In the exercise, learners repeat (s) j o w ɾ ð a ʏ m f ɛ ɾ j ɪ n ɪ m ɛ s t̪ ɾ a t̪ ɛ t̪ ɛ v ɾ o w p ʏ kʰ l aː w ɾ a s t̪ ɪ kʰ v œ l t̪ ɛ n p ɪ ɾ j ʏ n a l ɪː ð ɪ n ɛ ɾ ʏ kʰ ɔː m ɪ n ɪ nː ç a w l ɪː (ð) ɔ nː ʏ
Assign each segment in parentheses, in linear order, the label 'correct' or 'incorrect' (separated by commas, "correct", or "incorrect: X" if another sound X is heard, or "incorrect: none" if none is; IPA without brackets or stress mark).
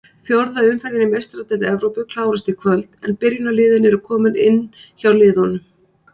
incorrect: f, correct